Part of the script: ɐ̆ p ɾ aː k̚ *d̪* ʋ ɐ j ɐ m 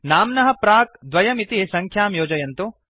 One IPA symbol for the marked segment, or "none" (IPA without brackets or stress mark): d̪